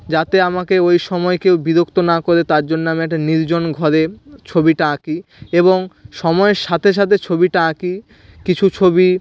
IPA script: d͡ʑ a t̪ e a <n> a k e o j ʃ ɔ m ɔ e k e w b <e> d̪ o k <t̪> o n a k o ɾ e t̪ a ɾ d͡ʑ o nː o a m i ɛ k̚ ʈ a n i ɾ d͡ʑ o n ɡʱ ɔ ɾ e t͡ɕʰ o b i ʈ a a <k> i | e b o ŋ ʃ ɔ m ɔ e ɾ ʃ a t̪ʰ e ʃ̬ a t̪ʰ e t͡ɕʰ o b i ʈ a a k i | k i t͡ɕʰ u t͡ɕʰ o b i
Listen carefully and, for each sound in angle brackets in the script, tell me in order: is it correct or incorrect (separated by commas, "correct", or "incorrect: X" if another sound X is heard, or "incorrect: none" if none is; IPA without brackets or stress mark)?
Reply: incorrect: m, incorrect: i, correct, correct